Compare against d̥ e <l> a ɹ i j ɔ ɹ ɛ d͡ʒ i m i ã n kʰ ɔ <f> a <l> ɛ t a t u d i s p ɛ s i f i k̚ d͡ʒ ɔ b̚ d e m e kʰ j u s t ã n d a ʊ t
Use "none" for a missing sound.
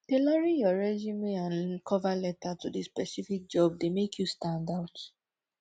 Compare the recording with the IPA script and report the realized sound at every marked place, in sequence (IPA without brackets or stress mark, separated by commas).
l, v, l